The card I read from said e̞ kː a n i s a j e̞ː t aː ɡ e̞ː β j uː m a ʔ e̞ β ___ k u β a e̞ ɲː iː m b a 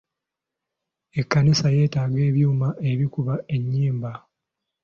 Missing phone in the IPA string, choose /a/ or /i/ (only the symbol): i